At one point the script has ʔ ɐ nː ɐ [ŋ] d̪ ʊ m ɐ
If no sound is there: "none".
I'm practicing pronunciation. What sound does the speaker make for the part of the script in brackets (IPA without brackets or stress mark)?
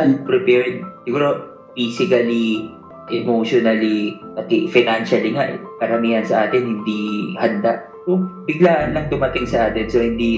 ŋ